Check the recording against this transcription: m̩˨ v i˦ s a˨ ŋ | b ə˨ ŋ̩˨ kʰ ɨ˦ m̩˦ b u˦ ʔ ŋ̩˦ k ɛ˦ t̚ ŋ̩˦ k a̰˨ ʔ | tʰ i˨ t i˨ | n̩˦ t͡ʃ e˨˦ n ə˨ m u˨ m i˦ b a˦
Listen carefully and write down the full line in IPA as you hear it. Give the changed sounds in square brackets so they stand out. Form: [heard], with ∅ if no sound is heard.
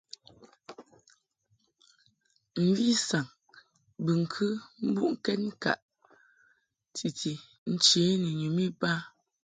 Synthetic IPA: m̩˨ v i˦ s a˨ ŋ | b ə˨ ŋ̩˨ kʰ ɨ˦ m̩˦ b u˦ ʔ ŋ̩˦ k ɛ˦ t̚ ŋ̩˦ k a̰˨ ʔ | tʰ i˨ t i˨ | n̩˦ t͡ʃ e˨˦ n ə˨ [ɲ] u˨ m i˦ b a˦